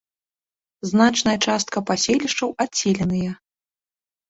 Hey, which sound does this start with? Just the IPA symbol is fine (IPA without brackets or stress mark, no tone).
z